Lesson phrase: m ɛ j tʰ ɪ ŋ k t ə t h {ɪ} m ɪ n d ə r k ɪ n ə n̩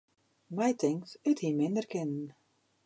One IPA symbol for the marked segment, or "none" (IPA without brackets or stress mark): i